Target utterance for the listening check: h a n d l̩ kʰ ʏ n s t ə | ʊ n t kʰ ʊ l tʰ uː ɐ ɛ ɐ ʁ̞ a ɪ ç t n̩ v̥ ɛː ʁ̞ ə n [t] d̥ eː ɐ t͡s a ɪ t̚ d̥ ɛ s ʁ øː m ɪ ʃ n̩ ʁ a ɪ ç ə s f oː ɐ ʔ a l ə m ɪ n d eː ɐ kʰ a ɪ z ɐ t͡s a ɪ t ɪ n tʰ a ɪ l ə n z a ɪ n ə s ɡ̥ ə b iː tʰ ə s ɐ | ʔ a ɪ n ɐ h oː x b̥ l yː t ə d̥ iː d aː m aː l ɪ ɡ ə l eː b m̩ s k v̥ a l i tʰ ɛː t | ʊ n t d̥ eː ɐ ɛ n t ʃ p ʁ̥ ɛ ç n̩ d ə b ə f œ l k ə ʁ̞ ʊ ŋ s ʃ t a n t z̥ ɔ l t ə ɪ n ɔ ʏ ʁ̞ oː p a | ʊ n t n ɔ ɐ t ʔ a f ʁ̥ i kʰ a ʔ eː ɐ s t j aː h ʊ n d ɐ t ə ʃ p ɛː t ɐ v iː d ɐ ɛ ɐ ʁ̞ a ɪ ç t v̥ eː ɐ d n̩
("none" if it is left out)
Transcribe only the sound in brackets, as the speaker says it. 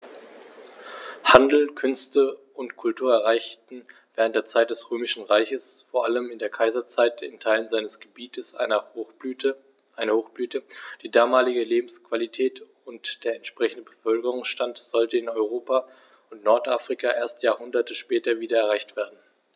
t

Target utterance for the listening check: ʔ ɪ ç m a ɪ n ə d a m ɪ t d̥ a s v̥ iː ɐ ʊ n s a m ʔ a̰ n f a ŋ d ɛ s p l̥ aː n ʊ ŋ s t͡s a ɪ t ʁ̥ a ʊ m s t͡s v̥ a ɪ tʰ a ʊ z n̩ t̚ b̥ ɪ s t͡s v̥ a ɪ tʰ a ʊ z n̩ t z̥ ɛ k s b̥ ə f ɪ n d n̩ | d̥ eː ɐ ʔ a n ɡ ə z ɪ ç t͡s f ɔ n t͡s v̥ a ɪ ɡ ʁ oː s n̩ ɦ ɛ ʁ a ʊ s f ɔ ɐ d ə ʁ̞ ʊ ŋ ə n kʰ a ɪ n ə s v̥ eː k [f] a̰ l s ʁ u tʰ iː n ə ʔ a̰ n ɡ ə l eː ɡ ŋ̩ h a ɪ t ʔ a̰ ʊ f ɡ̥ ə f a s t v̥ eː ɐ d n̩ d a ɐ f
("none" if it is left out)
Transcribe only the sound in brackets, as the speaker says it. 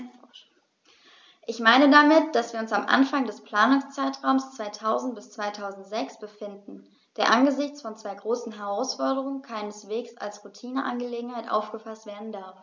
s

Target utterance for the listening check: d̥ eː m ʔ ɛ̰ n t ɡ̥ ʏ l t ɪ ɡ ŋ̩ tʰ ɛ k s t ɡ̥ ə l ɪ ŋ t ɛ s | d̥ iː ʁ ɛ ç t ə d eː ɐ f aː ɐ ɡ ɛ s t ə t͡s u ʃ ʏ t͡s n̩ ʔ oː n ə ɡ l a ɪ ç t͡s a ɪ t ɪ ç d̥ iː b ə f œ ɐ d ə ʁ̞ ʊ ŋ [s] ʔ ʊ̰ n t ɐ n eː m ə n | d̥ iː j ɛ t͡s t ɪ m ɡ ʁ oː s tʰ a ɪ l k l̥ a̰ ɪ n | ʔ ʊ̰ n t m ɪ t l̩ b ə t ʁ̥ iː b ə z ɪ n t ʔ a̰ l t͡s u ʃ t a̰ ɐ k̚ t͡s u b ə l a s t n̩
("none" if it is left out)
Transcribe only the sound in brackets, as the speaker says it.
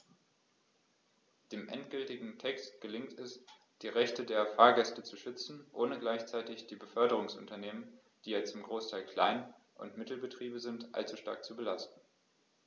s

